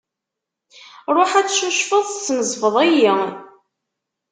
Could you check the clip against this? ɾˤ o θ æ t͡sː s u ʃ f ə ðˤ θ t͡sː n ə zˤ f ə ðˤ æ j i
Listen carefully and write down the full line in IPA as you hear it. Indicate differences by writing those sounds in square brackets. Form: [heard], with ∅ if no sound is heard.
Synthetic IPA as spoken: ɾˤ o [ħ] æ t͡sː [ʃ] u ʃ f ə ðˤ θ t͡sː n ə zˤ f ə ðˤ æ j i